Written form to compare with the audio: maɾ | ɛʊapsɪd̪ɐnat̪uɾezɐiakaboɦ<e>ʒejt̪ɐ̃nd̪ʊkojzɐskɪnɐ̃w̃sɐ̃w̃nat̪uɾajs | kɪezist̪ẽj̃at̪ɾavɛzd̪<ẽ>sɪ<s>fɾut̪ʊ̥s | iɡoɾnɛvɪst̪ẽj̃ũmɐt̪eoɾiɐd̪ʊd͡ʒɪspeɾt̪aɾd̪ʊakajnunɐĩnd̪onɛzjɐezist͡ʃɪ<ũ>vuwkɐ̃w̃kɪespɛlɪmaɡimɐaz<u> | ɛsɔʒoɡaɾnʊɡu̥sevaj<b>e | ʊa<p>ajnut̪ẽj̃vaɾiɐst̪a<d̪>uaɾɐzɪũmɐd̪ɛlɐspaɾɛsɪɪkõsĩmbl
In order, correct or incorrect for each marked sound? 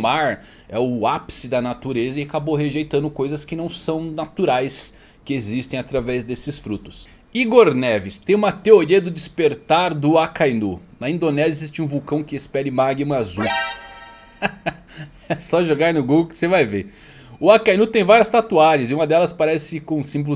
correct, incorrect: e, correct, correct, correct, incorrect: v, incorrect: k, incorrect: t̪

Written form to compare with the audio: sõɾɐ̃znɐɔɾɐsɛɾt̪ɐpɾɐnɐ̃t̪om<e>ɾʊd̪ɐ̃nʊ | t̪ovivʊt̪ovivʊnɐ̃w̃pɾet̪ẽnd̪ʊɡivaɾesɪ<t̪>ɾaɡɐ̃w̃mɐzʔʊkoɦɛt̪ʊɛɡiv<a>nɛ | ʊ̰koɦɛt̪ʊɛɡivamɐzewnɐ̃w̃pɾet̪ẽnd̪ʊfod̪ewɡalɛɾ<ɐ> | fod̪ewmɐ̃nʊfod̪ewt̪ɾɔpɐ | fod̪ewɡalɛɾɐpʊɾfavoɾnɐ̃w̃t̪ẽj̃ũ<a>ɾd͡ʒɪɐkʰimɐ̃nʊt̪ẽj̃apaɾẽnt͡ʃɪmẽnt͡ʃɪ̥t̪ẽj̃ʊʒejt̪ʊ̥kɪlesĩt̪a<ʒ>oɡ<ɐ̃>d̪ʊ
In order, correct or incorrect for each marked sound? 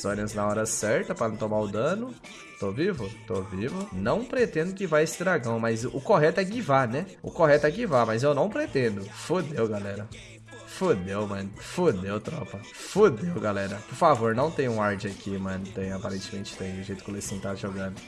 incorrect: a, incorrect: d̪, correct, correct, correct, correct, correct

